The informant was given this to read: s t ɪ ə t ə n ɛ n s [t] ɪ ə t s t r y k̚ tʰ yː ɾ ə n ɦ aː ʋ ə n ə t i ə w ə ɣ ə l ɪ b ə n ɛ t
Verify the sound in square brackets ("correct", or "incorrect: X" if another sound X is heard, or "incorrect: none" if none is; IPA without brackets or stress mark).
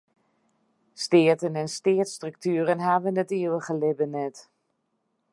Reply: correct